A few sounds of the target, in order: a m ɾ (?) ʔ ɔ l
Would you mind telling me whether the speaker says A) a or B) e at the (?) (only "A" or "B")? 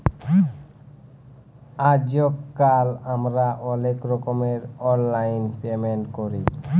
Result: A